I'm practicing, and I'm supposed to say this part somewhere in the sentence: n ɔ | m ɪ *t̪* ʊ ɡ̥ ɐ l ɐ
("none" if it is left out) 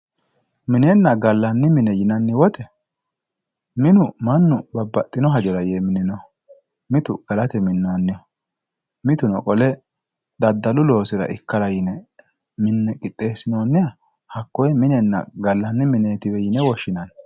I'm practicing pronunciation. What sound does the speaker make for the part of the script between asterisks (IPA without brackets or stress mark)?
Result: t̪